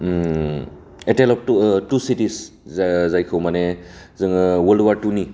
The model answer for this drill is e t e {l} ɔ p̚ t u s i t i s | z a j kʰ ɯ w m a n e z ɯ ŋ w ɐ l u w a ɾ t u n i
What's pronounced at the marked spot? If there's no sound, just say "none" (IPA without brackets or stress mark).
l